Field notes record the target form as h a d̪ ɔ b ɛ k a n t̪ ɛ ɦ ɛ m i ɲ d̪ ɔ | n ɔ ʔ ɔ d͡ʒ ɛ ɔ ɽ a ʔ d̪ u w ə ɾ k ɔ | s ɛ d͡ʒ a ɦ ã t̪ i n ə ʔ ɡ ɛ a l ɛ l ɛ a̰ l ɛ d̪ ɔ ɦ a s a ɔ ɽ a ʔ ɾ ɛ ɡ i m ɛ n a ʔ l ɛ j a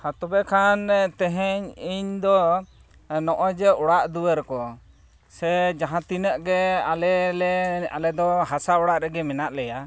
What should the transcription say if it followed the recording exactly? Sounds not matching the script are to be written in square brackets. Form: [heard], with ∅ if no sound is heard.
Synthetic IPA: h a [t̪] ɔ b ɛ [kʰ] a n t̪ ɛ ɦ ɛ [ɲ] i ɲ d̪ ɔ | n ɔ ʔ ɔ d͡ʒ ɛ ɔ ɽ a ʔ d̪ u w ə ɾ k ɔ | s ɛ d͡ʒ a ɦ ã t̪ i n ə ʔ ɡ ɛ a l ɛ l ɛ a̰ l ɛ d̪ ɔ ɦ a s a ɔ ɽ a ʔ ɾ ɛ ɡ [ɛ] m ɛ n a ʔ l ɛ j a

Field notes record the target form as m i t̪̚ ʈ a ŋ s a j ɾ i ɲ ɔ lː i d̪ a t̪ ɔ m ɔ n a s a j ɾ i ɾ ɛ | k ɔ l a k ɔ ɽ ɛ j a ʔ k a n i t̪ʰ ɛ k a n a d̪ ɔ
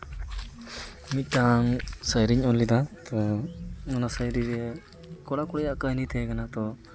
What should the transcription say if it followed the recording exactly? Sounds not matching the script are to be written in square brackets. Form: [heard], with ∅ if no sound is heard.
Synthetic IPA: m i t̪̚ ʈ a ŋ s a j ɾ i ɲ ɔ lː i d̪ a t̪ ɔ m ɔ n a s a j ɾ i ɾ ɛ | k ɔ [ɽ] a k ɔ ɽ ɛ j a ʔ k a n i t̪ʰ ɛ k a n a [t̪] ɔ

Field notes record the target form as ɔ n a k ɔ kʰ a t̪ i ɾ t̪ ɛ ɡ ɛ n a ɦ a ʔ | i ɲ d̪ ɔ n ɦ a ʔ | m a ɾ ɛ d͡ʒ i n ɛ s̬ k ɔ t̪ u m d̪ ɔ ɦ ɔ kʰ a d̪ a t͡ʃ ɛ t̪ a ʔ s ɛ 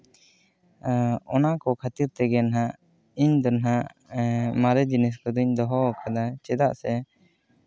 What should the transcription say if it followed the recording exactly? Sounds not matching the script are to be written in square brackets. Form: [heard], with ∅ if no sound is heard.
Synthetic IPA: ɔ n a k ɔ kʰ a t̪ i ɾ t̪ ɛ ɡ ɛ n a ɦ a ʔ | i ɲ d̪ ɔ n ɦ a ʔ | m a ɾ ɛ d͡ʒ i n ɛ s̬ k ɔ [d̪] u [ɲ] d̪ ɔ ɦ ɔ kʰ a d̪ a t͡ʃ ɛ [d̪] a ʔ s ɛ

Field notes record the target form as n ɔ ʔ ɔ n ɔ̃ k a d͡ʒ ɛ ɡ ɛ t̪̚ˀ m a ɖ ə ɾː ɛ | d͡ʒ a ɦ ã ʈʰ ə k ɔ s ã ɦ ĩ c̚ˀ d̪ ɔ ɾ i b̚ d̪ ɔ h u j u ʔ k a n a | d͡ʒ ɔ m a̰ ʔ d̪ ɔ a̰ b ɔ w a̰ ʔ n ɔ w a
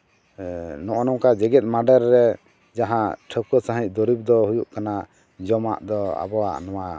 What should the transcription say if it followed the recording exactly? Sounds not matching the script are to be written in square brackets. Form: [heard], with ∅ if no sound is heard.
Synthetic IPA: n ɔ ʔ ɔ n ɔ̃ k a d͡ʒ ɛ ɡ ɛ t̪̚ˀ m a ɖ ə ɾː ɛ | d͡ʒ a ɦ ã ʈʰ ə k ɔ s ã ɦ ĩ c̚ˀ d̪ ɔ ɾ i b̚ d̪ ɔ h u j u ʔ k a n a | d͡ʒ ɔ m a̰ ʔ d̪ ɔ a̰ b ɔ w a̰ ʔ n ɔ w a

